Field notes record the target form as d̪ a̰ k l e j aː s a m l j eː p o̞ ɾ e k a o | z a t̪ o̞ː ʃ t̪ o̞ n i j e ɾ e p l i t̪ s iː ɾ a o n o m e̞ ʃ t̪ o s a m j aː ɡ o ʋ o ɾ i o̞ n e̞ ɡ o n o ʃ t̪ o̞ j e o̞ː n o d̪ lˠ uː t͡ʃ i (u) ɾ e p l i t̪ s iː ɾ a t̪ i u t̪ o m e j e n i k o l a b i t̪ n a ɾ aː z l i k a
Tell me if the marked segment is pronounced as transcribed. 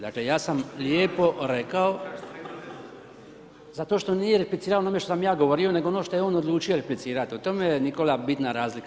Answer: no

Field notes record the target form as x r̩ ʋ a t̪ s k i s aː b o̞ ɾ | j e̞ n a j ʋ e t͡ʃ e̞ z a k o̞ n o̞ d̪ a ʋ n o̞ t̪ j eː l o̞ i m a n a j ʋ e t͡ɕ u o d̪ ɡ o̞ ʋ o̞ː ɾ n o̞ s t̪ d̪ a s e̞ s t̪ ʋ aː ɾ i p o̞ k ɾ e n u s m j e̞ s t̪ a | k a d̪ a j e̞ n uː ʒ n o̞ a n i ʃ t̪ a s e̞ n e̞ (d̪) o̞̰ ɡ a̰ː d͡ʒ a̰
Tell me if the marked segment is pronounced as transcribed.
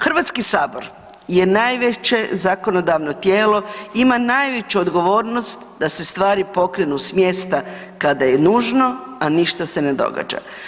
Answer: yes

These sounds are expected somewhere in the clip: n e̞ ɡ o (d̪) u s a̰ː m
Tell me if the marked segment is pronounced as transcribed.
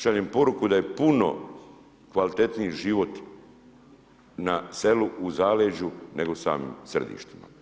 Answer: no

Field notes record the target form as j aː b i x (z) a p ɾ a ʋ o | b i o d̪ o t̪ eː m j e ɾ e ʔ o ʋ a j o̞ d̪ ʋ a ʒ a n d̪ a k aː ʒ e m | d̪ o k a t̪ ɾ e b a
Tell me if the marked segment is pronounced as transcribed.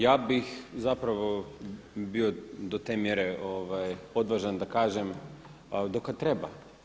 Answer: yes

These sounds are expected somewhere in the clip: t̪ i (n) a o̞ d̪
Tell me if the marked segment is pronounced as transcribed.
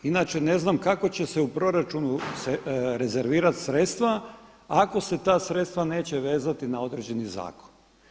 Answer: yes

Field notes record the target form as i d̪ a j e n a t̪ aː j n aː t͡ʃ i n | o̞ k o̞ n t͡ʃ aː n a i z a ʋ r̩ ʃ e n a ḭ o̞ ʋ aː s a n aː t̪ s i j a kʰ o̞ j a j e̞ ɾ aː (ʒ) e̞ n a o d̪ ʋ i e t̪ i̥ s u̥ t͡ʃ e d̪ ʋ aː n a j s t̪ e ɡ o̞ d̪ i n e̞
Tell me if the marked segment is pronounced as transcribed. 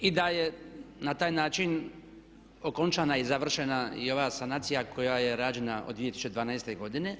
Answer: no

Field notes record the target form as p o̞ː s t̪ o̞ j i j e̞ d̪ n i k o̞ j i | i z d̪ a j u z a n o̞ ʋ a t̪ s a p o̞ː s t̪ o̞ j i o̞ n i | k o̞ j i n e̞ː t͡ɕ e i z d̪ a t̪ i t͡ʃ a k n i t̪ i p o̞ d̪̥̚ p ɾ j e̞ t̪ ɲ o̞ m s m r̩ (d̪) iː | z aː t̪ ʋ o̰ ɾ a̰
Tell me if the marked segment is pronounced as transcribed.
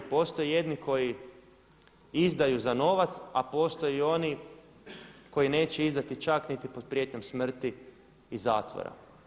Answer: no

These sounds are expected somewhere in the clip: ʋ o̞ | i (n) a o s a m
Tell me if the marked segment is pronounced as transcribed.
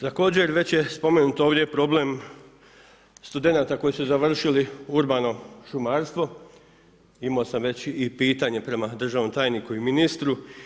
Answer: no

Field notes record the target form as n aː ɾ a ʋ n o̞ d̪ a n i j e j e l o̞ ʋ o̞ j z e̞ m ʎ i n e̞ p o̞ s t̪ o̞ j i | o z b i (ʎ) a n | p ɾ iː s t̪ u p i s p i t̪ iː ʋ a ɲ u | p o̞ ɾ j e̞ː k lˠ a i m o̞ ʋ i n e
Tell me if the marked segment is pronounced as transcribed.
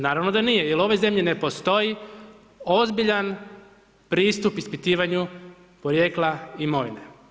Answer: yes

